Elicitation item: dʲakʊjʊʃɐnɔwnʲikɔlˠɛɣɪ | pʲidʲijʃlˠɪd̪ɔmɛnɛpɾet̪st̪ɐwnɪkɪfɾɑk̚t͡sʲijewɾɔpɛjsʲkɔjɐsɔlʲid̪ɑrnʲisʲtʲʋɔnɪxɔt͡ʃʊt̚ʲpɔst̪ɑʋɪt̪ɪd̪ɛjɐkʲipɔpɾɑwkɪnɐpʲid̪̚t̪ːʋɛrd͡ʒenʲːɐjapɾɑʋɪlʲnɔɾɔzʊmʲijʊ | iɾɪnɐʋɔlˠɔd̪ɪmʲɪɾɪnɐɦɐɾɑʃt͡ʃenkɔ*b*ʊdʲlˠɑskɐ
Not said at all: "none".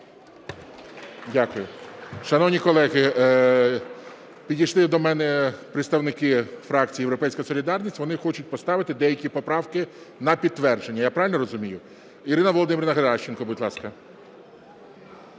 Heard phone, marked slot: b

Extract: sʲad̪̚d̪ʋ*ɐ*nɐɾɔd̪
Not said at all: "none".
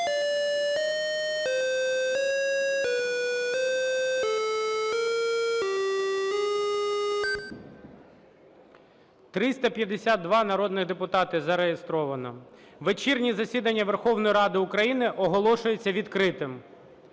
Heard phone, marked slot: ɑ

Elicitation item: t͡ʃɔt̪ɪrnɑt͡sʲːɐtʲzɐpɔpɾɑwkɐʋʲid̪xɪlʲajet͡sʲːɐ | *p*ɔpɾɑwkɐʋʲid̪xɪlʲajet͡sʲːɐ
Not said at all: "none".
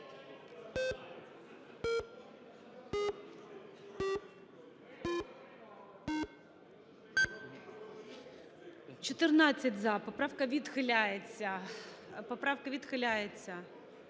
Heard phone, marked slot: p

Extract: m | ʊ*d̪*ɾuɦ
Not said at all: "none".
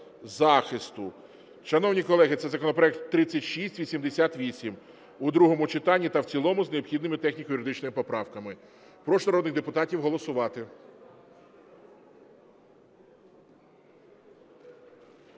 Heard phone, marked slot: d̪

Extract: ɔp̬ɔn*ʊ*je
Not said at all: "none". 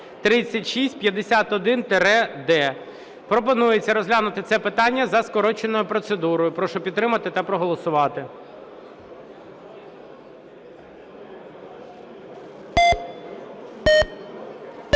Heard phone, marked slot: u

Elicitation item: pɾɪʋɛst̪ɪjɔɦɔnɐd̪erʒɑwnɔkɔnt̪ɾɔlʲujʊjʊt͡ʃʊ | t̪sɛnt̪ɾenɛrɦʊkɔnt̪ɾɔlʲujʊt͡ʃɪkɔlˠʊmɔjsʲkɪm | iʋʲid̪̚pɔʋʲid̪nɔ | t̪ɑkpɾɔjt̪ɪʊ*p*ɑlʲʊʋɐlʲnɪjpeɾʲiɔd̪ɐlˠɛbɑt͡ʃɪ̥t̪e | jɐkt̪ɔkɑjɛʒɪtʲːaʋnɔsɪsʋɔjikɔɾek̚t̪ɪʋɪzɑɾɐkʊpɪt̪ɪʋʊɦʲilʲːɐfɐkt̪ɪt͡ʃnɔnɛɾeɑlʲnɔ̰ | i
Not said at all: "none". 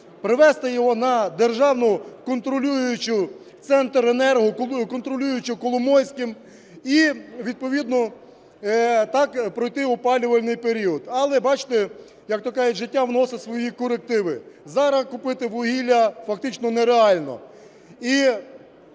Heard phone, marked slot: p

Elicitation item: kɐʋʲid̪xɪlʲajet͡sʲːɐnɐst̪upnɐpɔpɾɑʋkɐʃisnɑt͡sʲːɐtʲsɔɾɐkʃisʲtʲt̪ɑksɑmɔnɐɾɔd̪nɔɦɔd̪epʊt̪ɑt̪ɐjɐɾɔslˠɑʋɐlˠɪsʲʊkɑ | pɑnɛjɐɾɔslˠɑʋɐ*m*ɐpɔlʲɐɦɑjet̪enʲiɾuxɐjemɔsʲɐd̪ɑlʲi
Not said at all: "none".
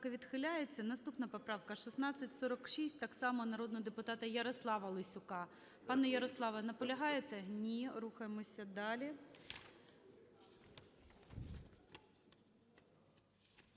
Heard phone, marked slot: n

